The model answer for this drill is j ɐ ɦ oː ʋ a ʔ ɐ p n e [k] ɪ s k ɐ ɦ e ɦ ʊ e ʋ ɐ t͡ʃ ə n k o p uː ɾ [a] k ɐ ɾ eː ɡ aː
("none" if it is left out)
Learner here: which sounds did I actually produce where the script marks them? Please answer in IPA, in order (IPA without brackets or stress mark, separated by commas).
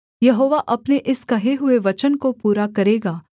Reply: ʔ, a